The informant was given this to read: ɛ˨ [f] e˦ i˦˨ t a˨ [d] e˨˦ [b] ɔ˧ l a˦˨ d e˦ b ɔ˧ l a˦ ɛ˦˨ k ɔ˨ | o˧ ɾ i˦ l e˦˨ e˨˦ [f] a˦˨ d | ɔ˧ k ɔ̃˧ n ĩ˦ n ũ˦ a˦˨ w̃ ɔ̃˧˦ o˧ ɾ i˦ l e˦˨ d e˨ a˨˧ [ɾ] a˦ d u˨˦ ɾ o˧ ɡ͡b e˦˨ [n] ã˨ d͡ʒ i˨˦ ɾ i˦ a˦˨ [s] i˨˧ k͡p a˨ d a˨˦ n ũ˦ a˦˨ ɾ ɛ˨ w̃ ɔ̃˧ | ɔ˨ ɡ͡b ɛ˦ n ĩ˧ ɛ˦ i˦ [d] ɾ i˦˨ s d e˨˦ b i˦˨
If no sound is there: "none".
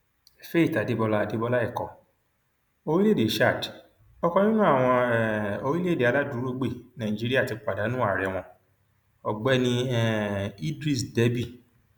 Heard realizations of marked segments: f, d, b, ʃ, l, n, t, d

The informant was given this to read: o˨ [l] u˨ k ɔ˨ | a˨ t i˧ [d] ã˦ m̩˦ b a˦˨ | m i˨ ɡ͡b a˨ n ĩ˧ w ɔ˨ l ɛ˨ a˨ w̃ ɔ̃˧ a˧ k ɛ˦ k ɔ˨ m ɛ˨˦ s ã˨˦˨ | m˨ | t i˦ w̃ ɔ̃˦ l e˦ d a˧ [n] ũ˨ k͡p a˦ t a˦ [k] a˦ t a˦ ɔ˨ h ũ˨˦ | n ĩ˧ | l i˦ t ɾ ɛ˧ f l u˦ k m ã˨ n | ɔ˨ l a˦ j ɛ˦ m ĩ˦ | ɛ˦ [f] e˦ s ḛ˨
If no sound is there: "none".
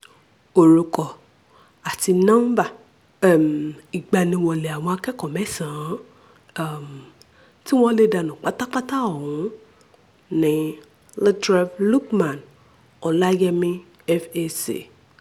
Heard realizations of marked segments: ɾ, n, n, k͡p, f

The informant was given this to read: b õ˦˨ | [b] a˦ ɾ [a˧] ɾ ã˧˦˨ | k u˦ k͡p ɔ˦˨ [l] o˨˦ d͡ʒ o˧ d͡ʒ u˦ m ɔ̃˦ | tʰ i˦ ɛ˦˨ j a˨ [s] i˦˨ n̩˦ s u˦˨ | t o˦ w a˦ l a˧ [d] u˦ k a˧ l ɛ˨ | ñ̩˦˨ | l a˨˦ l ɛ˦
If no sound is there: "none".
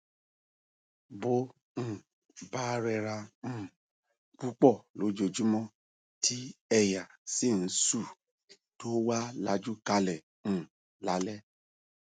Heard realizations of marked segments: b, ɛ˧, l, s, d͡ʒ

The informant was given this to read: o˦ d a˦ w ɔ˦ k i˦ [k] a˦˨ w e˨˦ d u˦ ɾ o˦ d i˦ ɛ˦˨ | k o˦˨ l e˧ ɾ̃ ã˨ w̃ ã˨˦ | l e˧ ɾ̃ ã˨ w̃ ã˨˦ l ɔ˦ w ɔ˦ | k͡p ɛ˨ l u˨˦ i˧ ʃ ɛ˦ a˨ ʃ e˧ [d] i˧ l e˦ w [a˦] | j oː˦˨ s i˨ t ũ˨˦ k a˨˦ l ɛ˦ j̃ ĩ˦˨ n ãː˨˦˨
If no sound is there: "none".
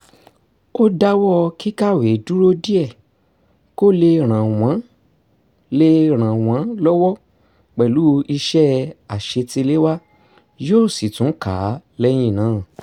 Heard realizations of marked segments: k, t, a˦

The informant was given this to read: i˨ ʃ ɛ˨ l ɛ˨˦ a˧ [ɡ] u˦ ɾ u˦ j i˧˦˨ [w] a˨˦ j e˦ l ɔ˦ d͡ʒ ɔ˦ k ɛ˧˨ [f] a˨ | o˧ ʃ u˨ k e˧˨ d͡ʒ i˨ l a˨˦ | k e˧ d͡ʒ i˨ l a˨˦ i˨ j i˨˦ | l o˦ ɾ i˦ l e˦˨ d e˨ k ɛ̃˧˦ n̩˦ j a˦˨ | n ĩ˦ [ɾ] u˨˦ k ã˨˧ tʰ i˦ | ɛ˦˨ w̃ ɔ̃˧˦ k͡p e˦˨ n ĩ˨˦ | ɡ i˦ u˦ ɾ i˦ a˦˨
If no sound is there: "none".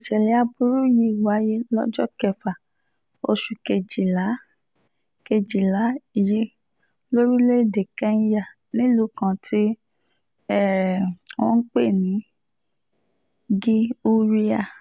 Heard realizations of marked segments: b, w, f, l

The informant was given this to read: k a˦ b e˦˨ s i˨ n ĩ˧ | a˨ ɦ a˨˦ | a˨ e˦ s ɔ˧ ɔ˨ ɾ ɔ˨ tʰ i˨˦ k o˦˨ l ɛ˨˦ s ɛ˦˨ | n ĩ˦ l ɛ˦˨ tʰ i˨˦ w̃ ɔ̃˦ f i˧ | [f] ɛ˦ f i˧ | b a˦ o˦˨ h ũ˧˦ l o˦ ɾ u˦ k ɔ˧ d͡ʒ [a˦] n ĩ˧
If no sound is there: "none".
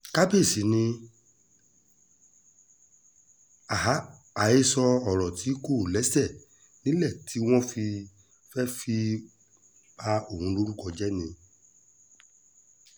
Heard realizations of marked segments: f, ɛ˦

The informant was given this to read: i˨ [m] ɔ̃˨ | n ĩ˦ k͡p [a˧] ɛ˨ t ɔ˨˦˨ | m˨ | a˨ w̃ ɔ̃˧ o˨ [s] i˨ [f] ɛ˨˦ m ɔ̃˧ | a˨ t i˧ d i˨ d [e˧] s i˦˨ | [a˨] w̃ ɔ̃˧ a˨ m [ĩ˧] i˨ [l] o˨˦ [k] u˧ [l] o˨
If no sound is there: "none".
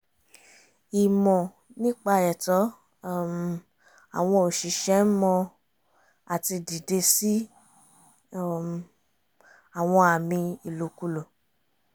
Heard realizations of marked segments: m, a˧, ʃ, ʃ, e˧, a˨, ĩ˧, l, k, l

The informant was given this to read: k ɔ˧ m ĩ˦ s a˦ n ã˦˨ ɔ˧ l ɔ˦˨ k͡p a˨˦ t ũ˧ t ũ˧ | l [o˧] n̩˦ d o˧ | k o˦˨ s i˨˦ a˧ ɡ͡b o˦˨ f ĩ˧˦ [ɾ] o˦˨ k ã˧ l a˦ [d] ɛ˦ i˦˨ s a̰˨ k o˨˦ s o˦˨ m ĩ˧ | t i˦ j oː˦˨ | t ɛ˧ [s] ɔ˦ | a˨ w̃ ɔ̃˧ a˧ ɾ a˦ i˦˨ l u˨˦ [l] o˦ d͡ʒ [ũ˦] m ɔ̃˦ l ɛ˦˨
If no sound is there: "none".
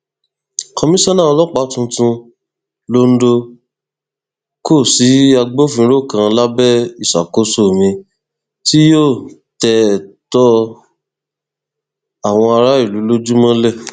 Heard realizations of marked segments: o˧, ɾ, b, t, l, u˦

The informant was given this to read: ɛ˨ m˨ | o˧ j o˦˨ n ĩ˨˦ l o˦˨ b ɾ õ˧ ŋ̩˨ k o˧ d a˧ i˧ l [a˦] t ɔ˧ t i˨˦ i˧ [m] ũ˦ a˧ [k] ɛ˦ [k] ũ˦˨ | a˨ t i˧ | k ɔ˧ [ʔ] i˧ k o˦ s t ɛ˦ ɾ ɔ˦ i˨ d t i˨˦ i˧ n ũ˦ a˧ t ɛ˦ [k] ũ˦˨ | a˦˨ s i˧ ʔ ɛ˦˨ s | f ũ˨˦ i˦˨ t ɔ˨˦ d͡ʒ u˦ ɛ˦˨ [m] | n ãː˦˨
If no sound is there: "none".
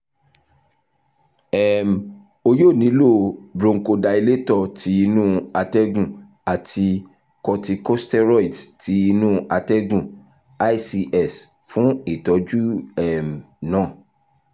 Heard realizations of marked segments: e˦, n, t, ɡ, t, ɡ, m

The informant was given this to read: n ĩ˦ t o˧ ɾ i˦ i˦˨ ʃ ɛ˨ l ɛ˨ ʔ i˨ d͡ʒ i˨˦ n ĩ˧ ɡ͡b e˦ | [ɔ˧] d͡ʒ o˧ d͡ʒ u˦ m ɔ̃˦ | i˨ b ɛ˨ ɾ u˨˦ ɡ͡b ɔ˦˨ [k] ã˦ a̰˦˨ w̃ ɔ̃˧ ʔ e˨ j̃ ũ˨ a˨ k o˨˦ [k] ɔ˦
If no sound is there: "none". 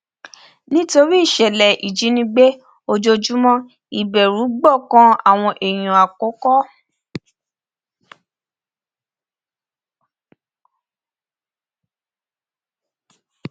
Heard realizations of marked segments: o˧, k, k

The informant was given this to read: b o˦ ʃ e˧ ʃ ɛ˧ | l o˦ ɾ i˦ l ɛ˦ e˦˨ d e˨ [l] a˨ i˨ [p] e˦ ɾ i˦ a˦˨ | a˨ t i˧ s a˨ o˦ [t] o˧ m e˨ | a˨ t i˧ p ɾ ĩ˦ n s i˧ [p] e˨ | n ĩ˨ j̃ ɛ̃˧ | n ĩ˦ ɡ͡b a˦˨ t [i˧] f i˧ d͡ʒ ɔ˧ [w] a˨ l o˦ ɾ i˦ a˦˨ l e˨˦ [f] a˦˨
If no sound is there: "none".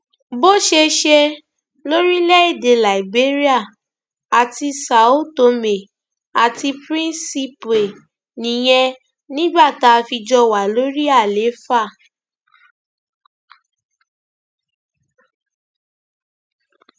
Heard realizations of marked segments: l, b, t, p, a˧, w, f

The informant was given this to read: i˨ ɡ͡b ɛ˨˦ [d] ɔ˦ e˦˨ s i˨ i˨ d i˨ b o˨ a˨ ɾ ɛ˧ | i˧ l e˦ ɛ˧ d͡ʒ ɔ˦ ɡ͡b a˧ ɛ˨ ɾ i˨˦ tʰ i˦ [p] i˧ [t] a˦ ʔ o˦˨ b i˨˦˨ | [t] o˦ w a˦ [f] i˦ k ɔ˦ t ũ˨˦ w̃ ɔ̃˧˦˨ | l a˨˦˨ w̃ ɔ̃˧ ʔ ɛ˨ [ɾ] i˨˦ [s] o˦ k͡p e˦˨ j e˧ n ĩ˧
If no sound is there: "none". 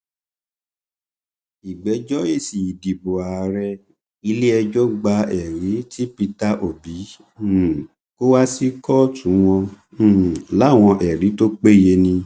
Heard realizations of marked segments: d͡ʒ, p, t, k, s, ɾ, t

